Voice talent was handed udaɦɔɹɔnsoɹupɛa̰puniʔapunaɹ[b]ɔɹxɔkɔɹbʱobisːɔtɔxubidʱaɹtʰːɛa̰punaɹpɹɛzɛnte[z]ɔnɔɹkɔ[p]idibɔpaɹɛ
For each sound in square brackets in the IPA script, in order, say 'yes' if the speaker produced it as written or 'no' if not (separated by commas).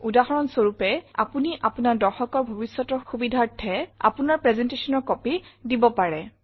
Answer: no, no, yes